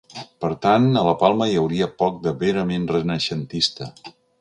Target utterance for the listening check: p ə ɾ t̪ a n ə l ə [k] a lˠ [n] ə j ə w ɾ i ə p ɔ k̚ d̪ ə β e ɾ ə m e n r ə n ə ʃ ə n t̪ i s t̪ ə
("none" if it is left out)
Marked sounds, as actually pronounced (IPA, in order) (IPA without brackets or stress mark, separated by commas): p, m